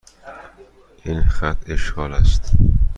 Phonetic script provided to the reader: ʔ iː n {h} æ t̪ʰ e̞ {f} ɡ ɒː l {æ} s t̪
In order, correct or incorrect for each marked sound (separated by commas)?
incorrect, incorrect, correct